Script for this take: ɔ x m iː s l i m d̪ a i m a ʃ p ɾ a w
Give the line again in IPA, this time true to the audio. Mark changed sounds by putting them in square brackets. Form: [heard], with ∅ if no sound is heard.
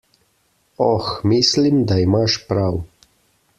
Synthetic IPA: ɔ x m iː s l i m d̪ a i m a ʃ p ɾ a w